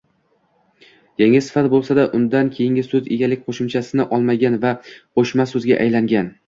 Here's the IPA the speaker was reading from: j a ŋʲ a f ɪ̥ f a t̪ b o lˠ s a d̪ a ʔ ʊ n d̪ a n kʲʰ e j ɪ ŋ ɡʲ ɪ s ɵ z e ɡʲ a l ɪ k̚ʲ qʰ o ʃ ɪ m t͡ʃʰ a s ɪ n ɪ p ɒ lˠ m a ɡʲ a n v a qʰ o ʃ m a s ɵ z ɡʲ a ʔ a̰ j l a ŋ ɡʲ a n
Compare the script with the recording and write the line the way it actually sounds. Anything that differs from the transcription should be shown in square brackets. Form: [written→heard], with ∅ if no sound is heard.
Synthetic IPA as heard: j a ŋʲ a [f→s] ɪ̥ f a t̪ b o lˠ s a d̪ a ʔ ʊ n d̪ a n kʲʰ e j ɪ ŋ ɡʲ ɪ s ɵ z e ɡʲ a l ɪ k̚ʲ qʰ o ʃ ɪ m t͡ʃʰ a s ɪ n ɪ [p→ʔ] ɒ lˠ m a ɡʲ a n v a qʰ o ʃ m a s ɵ z ɡʲ a ʔ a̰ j l a ŋ ɡʲ a n